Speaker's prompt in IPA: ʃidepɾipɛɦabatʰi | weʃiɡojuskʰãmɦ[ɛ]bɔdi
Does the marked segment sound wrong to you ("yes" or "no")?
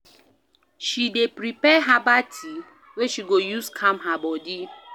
yes